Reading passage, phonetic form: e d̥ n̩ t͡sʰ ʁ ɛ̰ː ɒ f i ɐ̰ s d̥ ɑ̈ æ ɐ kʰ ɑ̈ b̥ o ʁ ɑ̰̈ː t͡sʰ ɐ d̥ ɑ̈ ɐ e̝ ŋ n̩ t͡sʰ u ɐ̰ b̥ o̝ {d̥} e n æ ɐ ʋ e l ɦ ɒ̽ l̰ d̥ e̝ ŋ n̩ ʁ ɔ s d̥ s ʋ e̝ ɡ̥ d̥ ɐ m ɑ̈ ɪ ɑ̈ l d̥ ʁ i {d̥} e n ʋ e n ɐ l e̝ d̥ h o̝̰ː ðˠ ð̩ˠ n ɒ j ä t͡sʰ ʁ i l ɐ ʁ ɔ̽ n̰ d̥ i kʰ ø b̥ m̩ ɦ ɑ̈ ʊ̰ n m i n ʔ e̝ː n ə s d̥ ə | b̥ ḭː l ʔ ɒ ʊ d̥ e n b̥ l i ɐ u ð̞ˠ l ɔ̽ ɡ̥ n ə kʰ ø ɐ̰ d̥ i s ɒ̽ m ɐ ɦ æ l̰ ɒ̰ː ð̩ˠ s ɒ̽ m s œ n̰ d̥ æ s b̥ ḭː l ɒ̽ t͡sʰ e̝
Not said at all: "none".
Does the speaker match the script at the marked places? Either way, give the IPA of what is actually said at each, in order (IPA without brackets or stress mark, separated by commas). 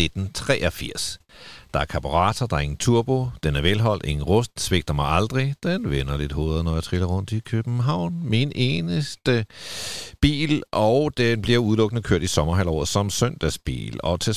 d̥, d̥